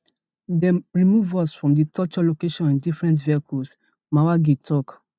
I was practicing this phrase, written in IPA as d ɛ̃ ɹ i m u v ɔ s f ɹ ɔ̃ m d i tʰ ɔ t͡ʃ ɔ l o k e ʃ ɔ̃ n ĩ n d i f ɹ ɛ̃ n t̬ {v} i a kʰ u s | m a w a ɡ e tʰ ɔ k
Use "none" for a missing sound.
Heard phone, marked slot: v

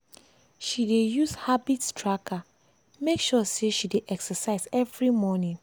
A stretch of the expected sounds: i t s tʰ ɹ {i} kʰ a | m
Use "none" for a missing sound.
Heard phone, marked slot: a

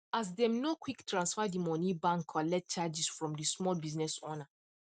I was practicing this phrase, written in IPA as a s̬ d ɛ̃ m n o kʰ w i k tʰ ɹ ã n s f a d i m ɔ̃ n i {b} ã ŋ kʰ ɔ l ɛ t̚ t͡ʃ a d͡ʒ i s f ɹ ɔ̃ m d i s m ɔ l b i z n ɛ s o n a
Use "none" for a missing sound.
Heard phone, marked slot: b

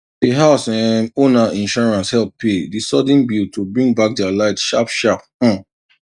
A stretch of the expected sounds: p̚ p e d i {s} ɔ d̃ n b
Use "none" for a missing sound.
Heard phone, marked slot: s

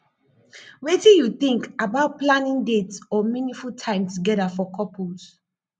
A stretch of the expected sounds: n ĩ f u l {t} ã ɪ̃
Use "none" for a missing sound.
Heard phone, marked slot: tʰ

